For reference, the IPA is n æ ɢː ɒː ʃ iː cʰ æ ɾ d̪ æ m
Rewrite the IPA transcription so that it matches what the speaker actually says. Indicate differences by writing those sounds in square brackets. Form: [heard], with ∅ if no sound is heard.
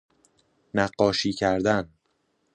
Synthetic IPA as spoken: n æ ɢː ɒː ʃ iː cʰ æ ɾ d̪ æ [n]